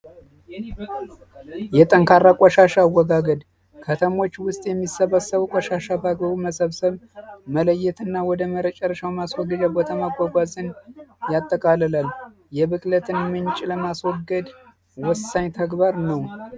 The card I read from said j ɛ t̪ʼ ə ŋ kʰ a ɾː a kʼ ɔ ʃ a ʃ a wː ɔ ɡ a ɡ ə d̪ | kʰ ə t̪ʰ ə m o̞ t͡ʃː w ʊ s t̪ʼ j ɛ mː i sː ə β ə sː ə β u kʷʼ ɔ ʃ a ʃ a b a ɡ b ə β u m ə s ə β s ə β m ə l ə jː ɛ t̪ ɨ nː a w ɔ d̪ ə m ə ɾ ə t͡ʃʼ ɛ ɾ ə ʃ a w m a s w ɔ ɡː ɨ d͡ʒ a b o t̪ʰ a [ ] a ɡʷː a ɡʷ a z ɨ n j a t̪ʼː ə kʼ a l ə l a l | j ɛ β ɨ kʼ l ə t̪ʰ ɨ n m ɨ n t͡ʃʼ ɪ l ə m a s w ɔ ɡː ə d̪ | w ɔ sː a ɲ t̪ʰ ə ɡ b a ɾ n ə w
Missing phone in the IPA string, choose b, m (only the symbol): m